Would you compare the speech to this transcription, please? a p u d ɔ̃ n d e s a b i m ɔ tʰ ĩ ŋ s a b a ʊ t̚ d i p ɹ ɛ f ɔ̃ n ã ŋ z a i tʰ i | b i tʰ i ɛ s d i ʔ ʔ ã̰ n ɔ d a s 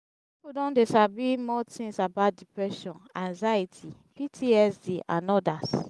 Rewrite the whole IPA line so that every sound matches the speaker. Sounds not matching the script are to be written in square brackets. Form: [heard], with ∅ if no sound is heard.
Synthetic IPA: [i] p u d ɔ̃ n d e s a b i m ɔ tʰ ĩ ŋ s a b a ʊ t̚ d i p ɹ ɛ [ʃ] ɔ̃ n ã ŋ z a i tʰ i | [p] i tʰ i ɛ s d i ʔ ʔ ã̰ n ɔ d a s